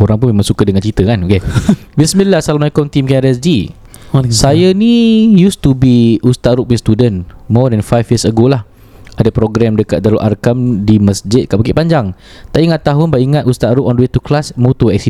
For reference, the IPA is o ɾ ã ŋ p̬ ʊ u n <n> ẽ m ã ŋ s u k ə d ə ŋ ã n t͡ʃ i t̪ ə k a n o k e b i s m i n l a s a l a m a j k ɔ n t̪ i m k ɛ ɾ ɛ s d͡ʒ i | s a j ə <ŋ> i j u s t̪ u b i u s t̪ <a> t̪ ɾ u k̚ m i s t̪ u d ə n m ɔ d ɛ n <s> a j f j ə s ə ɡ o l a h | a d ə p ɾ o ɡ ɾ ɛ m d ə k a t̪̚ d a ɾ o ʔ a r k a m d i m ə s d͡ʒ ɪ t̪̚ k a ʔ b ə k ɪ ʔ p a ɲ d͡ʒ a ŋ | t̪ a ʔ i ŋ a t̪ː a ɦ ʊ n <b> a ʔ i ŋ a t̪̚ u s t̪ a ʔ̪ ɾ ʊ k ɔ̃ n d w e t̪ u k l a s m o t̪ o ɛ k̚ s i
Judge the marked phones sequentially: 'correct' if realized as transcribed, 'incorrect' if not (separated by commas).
incorrect, incorrect, correct, incorrect, correct